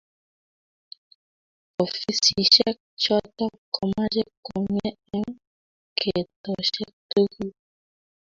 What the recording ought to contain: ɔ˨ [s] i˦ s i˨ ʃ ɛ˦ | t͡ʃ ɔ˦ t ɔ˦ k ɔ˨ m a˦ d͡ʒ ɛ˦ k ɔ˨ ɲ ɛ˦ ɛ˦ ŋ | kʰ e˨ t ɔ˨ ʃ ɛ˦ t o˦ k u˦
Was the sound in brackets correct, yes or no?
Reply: no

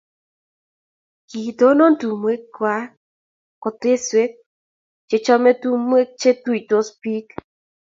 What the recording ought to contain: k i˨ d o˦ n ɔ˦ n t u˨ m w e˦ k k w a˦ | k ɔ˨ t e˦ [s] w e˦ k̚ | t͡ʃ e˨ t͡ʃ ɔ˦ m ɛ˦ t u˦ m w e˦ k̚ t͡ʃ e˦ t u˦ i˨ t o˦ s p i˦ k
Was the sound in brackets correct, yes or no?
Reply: yes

